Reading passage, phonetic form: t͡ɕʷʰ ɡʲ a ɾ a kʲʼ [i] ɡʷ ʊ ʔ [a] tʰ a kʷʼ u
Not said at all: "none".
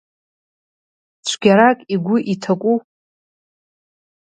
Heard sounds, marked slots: i, i

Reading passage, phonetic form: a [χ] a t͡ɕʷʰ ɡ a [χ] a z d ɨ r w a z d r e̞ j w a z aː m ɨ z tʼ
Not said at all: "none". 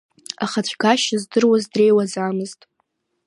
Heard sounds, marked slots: χ, ʃ

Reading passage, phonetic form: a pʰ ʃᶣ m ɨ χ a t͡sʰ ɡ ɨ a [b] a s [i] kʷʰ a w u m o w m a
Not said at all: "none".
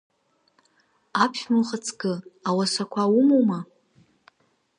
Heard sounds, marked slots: w, a

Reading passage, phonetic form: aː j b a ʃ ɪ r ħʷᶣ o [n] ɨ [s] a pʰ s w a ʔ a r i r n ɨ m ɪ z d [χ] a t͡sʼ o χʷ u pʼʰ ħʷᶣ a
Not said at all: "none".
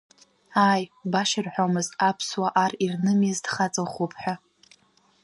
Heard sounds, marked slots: m, z, χ

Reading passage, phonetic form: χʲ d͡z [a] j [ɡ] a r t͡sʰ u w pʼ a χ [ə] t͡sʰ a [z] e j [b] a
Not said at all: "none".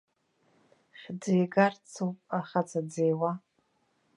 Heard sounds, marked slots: e, ɡ, a, d͡z, w

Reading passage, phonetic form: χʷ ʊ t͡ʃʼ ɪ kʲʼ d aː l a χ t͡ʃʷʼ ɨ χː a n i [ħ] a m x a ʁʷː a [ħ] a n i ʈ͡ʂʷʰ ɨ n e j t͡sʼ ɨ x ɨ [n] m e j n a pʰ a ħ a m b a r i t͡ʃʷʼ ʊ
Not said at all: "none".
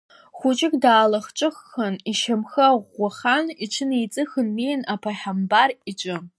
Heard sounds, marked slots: ʃ, χ, n

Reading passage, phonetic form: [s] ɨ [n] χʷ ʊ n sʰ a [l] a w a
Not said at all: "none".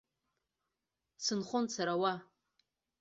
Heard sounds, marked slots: s, n, ɾ

